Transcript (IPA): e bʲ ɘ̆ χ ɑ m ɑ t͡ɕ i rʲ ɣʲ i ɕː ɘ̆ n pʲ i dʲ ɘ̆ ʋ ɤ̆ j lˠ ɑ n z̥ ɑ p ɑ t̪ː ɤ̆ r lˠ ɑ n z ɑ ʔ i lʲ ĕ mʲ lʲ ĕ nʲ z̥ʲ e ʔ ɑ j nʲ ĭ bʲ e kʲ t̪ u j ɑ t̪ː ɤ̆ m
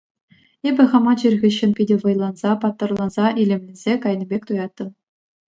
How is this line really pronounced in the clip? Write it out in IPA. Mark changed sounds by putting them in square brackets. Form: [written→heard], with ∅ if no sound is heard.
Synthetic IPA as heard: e bʲ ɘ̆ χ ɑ m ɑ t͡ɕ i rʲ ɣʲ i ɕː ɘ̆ n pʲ i dʲ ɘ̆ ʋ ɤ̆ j lˠ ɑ n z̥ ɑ p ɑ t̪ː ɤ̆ r lˠ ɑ n z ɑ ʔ i lʲ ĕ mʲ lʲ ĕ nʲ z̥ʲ e [ʔ→k] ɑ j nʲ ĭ bʲ e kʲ t̪ u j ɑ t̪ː ɤ̆ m